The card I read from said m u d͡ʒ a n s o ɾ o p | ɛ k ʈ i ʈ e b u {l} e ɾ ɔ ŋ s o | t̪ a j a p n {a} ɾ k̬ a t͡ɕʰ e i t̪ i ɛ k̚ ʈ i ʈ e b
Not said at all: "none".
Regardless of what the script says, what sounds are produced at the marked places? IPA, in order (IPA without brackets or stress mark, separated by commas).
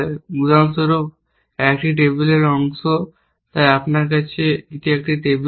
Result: l, a